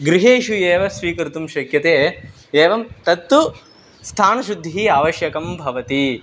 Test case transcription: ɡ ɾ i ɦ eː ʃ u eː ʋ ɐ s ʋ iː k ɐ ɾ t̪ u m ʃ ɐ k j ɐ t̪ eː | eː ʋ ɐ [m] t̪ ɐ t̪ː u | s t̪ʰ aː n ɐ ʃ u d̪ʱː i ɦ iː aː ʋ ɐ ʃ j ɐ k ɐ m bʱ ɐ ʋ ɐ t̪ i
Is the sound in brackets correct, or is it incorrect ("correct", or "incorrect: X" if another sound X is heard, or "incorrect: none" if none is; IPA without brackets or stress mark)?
correct